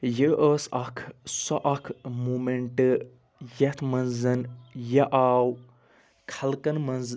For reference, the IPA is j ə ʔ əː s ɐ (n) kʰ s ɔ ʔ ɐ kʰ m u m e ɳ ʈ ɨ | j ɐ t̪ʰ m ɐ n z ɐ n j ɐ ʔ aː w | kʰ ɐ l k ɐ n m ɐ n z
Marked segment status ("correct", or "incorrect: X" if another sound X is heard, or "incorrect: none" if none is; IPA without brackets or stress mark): incorrect: none